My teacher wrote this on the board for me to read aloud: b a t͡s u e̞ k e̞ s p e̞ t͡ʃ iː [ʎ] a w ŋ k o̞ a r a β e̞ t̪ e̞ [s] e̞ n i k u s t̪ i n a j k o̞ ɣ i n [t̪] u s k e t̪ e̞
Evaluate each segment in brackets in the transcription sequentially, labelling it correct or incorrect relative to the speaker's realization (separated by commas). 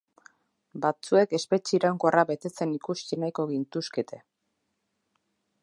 incorrect, incorrect, correct